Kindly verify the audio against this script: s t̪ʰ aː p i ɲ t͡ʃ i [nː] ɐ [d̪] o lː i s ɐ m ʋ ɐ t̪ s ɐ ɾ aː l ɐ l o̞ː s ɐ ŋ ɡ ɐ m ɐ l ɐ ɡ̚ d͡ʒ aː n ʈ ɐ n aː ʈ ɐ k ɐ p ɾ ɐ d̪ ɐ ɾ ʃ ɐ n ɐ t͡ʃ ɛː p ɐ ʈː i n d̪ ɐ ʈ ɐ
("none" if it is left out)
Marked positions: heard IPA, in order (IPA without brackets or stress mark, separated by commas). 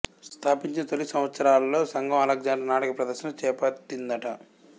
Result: n, t̪